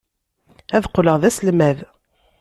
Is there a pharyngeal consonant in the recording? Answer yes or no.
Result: no